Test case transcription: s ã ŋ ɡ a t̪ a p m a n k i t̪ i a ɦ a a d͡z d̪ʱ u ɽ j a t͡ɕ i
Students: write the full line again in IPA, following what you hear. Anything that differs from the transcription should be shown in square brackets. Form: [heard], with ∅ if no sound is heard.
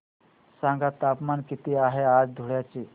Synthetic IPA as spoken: s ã ŋ ɡ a t̪ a p m a n k i t̪ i a ɦ [e] a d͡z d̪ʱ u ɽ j a t͡ɕ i